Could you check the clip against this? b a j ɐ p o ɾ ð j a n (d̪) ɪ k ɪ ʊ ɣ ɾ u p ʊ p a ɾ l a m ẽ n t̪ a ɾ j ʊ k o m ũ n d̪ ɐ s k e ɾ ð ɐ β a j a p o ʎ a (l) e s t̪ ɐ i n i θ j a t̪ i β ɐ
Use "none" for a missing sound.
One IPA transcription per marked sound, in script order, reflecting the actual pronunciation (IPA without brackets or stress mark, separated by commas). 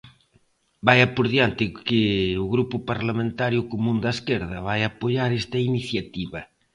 t̪, ɾ